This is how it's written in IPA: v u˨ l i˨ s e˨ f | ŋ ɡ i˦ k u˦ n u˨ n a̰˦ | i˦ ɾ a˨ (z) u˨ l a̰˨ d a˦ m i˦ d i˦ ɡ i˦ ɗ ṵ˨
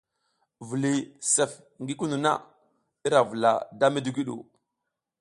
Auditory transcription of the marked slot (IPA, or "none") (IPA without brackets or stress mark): v